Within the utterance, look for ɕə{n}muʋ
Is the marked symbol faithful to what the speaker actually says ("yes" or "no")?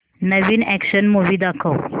yes